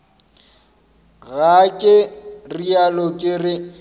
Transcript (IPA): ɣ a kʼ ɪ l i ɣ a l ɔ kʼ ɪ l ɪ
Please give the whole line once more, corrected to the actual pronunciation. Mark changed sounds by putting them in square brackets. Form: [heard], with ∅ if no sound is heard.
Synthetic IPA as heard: ɣ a kʼ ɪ [r] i [∅] a l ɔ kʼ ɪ [r] ɪ